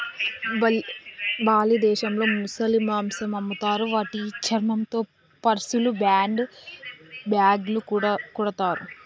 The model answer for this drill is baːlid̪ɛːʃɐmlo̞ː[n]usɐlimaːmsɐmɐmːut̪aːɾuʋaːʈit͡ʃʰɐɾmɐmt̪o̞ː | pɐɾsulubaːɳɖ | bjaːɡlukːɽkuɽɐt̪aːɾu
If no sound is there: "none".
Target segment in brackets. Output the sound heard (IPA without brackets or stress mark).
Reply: m